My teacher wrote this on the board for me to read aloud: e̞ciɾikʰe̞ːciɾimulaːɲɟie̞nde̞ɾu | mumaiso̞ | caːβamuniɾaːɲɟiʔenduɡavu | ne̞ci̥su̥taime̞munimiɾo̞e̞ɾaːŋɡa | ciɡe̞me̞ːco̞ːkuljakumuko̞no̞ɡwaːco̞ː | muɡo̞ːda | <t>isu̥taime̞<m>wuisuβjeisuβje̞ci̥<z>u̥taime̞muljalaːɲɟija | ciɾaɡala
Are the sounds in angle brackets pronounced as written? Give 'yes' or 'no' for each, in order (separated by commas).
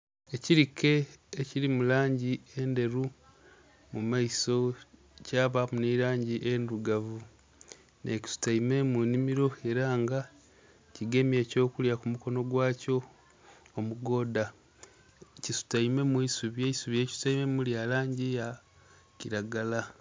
no, yes, no